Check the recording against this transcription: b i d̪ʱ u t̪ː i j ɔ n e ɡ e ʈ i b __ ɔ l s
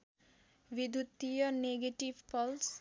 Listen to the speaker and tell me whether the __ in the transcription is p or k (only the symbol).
p